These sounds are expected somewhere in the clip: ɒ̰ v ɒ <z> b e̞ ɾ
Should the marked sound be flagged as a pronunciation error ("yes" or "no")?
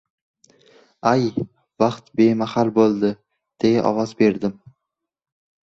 no